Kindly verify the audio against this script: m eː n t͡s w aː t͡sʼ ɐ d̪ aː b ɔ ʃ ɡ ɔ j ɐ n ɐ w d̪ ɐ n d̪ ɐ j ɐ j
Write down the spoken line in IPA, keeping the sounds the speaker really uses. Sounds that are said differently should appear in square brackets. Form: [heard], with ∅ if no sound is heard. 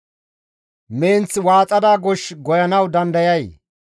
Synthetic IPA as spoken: m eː n t͡s w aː t͡sʼ ɐ d̪ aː [ɡ] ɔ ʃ ɡ ɔ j ɐ n ɐ w d̪ ɐ n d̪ ɐ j ɐ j